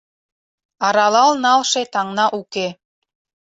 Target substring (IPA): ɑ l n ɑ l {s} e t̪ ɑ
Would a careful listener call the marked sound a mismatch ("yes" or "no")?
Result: yes